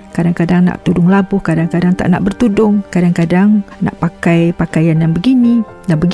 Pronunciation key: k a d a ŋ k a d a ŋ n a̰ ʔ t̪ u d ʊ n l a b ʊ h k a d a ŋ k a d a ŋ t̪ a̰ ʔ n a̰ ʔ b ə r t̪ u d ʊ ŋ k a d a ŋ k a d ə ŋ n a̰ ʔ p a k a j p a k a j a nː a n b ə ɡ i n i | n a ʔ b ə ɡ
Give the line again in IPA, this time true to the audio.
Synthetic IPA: k a d a ŋ k a d a ŋ n a̰ ʔ t̪ u d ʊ ŋ l a b ʊ h k a d a ŋ k a d a ŋ t̪ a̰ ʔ n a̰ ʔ b ə r t̪ u d ʊ ŋ k a d a ŋ k a d a ŋ n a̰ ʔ p a k a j p a k a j a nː a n b ə ɡ i n i | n a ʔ b ə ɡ